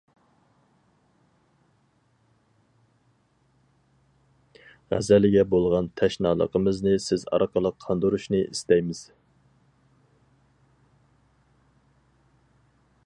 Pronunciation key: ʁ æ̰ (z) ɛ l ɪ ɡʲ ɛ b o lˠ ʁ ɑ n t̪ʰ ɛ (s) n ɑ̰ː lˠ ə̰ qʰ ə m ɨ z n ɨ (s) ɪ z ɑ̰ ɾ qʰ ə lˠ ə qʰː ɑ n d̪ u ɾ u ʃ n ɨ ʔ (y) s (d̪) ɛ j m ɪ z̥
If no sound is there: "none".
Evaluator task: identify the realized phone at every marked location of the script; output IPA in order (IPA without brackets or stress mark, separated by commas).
z, ʃ, s, i, t̪